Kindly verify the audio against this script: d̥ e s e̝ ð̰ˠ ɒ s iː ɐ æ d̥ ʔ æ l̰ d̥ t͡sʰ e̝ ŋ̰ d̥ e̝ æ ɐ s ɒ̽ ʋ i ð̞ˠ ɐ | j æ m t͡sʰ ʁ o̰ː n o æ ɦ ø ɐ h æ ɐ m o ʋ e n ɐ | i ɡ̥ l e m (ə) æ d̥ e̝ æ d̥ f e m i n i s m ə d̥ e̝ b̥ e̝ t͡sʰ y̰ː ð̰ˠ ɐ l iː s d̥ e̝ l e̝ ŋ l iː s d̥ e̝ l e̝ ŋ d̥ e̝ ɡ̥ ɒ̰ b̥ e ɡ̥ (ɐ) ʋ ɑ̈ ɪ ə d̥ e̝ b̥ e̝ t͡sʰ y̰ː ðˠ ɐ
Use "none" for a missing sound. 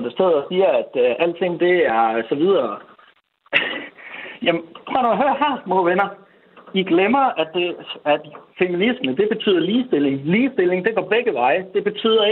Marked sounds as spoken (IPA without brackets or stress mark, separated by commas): ɐ, ə